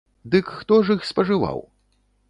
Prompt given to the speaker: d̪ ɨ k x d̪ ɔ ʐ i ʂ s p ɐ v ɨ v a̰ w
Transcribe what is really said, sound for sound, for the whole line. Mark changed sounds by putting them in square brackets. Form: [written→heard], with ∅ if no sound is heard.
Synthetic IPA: d̪ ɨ k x [d̪→t̪] ɔ ʐ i [ʂ→x] s p ɐ [v→ʐ] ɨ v a̰ w